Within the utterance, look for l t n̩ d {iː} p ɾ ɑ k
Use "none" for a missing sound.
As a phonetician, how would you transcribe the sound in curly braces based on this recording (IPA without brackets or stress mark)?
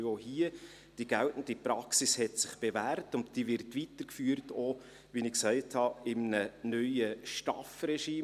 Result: i